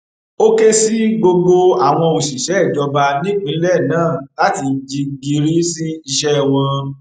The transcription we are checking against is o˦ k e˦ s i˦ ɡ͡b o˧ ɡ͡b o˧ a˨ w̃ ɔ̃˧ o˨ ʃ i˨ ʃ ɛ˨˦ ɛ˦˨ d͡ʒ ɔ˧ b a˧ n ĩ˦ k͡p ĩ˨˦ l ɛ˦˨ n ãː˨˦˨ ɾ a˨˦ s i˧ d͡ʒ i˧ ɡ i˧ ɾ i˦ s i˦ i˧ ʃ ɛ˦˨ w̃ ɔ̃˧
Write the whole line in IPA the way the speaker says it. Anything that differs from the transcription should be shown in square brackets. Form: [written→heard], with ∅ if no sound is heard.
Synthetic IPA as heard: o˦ k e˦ s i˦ ɡ͡b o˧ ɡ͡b o˧ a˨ w̃ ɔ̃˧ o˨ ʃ i˨ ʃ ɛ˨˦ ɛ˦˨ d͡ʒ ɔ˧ b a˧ n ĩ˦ k͡p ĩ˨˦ l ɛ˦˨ n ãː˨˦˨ [ɾ→l] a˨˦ [s→t] i˧ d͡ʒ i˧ ɡ i˧ ɾ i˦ s i˦ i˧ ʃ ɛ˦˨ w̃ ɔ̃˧